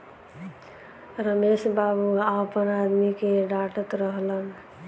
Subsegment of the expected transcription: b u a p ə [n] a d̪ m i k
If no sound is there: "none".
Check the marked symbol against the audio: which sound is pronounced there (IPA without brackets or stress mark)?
n